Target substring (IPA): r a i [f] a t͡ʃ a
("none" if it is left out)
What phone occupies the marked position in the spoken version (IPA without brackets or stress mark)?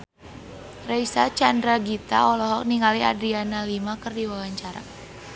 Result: s